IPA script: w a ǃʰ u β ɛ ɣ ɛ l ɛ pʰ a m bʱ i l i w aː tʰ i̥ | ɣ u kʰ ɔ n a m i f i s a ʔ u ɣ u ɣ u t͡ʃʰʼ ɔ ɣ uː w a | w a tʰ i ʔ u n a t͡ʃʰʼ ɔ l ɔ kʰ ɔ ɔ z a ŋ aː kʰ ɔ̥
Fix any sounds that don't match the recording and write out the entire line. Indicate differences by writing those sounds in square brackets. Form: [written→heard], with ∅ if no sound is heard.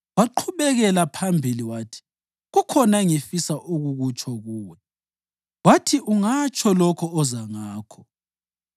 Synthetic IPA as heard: w a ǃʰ u β ɛ ɣ ɛ l [ɛ→a] pʰ a m bʱ i l i w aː tʰ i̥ | ɣ u kʰ ɔ n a [m→ŋ] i f i s a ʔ u ɣ u ɣ u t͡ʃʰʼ ɔ ɣ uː w [a→ɛ] | w a tʰ i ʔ u [n→ŋ] a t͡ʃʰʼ ɔ l ɔ kʰ ɔ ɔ z a ŋ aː kʰ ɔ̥